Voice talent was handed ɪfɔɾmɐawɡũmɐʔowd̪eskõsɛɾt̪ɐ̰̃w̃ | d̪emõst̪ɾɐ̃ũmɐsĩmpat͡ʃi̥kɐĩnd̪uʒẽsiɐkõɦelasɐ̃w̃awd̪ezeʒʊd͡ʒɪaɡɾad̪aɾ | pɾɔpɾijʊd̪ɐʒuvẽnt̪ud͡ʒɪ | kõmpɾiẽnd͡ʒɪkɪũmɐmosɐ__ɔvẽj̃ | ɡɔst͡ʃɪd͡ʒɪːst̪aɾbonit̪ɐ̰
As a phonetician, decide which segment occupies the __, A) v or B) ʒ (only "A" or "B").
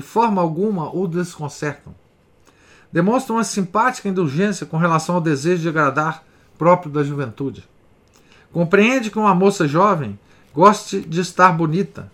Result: B